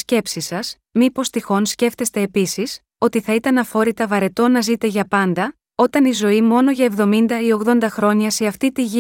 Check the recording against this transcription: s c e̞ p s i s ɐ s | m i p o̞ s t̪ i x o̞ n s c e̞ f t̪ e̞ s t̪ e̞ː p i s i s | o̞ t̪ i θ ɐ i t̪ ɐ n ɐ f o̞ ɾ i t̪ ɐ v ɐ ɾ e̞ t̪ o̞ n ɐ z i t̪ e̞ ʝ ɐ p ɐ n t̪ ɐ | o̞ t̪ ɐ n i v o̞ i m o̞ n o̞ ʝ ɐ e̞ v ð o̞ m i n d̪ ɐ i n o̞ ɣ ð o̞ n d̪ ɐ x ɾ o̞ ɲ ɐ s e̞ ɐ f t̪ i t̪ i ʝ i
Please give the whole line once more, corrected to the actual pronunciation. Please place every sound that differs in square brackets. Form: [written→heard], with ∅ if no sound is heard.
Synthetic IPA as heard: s c e̞ p s i s ɐ s | m i p o̞ s t̪ i x o̞ n s c e̞ f t̪ e̞ s t̪ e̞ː p i s i s | o̞ t̪ i θ ɐ i t̪ ɐ n ɐ f o̞ ɾ i t̪ ɐ v ɐ ɾ e̞ t̪ o̞ n ɐ z i t̪ e̞ ʝ ɐ p ɐ n [t̪→d̪] ɐ | o̞ t̪ ɐ n i [v→z] o̞ i m o̞ n o̞ ʝ ɐ e̞ v ð o̞ m i n d̪ ɐ i [n→∅] o̞ ɣ ð o̞ n d̪ ɐ x ɾ o̞ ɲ ɐ s e̞ ɐ f t̪ i t̪ i ʝ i